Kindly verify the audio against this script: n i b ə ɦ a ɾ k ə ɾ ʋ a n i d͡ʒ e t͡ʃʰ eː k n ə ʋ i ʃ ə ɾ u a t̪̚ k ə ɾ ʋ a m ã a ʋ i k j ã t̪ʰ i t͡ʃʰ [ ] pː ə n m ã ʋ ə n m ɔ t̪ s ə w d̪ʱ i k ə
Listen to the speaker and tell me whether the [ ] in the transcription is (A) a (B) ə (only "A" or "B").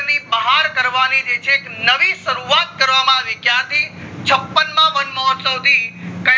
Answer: B